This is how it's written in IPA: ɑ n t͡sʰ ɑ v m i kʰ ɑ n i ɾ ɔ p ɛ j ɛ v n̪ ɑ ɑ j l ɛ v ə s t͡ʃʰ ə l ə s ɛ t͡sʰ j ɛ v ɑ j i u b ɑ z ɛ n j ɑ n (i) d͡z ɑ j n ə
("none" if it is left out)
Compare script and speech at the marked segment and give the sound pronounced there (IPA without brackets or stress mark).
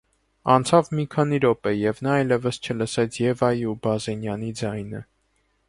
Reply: i